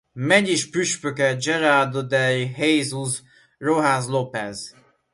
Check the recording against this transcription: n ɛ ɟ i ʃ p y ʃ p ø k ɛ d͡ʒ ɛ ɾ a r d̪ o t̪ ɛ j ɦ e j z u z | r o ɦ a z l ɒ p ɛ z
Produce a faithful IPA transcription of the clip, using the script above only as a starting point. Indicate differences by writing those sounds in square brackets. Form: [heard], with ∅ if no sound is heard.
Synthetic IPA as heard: [m] ɛ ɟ i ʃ p y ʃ p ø k ɛ d͡ʒ ɛ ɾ a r d̪ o [d̪] ɛ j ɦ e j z u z | r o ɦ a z l [o] p ɛ z